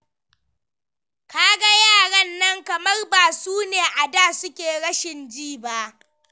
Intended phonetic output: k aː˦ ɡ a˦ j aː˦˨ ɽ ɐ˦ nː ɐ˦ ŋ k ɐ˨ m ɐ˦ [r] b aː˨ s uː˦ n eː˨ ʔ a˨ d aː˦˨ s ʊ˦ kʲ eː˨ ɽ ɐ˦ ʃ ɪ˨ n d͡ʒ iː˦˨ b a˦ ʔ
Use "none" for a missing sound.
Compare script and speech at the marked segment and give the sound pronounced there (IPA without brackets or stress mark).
r